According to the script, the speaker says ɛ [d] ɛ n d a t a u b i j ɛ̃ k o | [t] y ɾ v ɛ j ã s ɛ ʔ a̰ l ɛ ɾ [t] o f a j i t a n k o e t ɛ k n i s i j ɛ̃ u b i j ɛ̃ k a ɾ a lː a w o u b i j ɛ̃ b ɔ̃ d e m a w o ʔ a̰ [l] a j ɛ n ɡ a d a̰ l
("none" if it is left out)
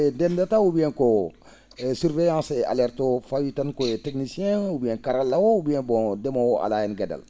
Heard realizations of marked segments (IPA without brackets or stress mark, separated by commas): d, s, t, l